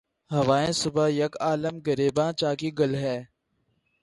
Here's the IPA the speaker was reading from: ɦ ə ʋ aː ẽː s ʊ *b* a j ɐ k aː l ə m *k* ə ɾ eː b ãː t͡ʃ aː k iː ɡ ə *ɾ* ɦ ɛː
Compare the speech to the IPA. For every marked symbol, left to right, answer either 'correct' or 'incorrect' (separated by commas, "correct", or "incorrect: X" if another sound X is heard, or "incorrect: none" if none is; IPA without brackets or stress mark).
correct, incorrect: ɡ, incorrect: l